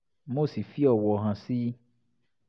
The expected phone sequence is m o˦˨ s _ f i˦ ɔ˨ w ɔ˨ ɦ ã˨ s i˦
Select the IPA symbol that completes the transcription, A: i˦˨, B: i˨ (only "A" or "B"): B